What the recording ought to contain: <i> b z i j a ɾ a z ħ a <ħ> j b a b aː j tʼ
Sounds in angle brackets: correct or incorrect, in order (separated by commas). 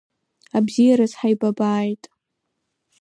incorrect, incorrect